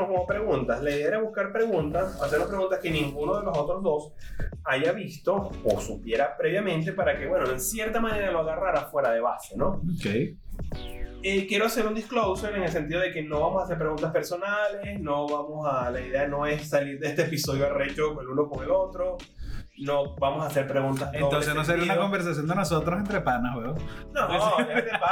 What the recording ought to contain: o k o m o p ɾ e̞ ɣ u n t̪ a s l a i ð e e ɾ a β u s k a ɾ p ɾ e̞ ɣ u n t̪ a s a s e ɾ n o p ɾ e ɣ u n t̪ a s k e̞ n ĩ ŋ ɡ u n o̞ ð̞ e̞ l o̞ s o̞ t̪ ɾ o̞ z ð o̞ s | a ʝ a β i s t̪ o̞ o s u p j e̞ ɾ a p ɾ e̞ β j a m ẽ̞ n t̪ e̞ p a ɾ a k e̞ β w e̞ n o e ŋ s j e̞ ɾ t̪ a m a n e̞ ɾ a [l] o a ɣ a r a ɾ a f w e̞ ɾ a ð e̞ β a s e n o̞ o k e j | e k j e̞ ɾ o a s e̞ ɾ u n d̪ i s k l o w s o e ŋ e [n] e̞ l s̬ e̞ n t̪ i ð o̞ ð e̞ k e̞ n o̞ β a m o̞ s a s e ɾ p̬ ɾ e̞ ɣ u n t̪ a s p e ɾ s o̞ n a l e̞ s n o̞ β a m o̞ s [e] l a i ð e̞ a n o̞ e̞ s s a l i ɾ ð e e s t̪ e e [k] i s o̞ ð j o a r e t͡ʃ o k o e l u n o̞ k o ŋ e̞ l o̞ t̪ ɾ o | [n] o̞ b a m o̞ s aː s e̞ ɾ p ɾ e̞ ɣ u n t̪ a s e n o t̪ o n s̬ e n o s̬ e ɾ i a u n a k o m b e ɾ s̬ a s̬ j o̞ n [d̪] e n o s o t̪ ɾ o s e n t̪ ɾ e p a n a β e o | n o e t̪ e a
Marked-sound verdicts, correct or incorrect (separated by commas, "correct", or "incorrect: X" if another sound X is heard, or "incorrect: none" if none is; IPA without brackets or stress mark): correct, incorrect: ŋ, incorrect: a, incorrect: p, correct, correct